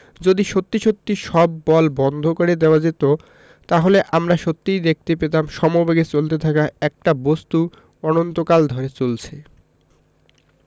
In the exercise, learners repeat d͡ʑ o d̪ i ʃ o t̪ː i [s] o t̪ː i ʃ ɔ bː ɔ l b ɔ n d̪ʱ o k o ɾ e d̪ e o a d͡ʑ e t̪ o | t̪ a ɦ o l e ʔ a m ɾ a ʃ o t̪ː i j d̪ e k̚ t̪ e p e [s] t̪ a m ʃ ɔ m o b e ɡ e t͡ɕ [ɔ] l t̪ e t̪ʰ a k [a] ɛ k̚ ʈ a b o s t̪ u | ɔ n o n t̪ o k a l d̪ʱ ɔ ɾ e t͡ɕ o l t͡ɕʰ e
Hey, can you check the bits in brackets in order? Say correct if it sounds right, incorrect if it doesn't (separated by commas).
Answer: incorrect, incorrect, incorrect, correct